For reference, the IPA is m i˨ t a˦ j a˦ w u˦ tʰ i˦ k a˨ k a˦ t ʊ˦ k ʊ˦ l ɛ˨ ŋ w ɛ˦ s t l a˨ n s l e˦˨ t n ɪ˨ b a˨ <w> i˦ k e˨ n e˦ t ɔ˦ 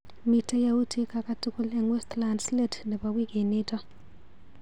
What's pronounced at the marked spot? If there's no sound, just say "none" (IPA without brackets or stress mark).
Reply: w